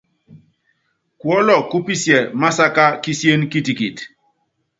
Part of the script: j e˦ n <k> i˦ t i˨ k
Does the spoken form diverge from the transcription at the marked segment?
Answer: no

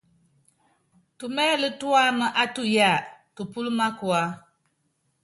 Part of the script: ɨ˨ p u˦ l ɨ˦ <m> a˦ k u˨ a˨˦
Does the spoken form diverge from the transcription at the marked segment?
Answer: no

